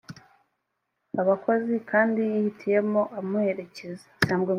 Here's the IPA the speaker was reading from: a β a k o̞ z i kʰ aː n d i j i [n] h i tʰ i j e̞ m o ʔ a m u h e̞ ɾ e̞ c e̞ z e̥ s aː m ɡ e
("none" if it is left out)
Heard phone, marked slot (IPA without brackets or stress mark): none